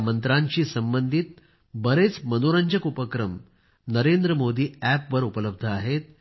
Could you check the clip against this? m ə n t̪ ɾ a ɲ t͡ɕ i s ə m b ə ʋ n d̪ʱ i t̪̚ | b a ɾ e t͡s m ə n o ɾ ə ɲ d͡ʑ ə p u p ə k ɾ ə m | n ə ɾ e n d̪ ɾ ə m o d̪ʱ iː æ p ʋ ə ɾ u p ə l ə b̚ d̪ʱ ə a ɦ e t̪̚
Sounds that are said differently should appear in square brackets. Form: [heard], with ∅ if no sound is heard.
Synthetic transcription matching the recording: m ə n t̪ ɾ a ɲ t͡ɕ [iː] s ə m b ə [∅] n d̪ʱ i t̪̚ | b [ə] ɾ e t͡s m ə n o ɾ ə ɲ d͡ʑ ə [k] u p ə k ɾ ə m | n ə ɾ e n d̪ ɾ ə m o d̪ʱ iː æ p ʋ ə ɾ u p ə l ə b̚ d̪ʱ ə a ɦ e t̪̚